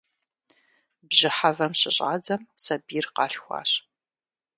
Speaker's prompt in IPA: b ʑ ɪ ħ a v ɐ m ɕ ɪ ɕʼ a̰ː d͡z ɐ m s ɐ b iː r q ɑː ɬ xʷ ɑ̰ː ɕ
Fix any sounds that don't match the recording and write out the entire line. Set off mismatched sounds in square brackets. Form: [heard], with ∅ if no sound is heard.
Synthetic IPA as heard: b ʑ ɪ ħ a v ɐ m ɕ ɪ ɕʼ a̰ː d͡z ɐ m s ɐ b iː r q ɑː ɬ xʷ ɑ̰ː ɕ